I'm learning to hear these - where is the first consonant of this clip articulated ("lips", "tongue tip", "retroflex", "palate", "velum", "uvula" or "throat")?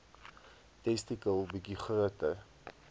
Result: tongue tip